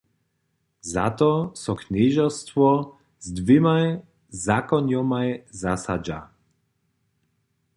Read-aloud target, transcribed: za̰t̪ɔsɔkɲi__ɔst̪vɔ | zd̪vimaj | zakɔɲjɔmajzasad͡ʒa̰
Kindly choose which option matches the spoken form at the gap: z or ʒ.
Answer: ʒ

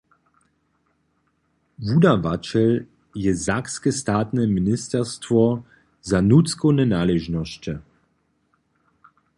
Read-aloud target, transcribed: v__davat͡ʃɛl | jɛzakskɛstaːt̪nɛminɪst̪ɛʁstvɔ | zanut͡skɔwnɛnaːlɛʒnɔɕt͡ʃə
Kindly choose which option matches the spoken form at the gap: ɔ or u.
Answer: u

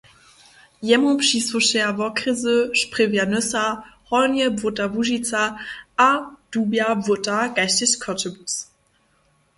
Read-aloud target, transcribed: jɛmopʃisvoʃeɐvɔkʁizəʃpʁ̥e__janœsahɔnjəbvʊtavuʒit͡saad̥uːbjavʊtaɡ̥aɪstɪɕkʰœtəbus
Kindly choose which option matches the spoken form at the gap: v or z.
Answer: v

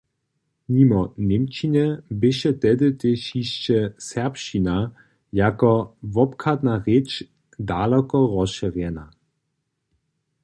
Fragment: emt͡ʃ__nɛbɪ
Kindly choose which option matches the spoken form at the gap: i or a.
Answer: i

